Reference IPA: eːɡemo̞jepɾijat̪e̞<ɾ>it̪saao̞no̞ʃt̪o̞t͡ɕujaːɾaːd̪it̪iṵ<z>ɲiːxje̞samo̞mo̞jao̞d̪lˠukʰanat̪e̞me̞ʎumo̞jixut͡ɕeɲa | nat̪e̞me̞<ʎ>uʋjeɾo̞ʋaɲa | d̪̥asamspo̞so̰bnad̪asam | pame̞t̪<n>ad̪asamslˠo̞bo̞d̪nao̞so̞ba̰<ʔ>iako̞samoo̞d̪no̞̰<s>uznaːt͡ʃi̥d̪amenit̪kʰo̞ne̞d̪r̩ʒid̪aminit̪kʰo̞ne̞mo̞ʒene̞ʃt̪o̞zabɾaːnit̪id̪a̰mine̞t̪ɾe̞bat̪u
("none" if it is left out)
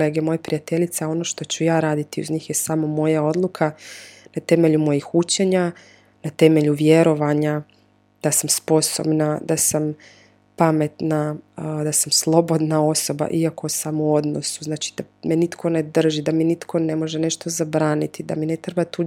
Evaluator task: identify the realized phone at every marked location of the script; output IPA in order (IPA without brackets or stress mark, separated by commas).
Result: ʎ, z, ʎ, n, ʔ, s